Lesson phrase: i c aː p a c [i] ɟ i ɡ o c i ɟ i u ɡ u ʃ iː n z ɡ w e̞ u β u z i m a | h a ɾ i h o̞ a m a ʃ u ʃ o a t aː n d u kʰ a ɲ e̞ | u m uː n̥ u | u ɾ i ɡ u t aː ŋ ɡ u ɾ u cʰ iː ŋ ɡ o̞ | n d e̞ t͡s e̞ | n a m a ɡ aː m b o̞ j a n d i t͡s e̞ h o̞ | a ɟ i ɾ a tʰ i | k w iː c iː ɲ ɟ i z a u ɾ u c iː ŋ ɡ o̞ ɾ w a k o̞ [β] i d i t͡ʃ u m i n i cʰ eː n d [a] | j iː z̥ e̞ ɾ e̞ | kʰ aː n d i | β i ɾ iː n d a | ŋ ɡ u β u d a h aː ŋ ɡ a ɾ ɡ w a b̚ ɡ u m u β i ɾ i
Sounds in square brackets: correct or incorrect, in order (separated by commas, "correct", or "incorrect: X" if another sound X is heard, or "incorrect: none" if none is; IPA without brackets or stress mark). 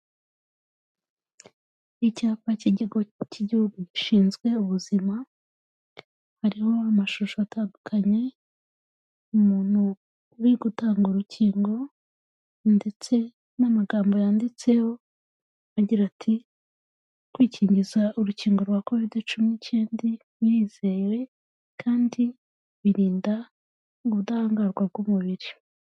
correct, incorrect: v, incorrect: i